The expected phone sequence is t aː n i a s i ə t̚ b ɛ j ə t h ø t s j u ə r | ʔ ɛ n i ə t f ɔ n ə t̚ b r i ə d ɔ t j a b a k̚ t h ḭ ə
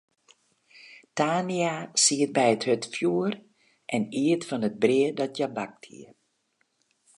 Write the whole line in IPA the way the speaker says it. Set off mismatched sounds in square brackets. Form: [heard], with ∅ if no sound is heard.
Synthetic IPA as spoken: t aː n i a s i ə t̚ b ɛ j ə t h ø t [f] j u ə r | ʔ ɛ n i ə t f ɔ n ə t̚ b r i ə d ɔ t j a b a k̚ t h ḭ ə